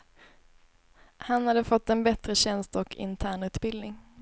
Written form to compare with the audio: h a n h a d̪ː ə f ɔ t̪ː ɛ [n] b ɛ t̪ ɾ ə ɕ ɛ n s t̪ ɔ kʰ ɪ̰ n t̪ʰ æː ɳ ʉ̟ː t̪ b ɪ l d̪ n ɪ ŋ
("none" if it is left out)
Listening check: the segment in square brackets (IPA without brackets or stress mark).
n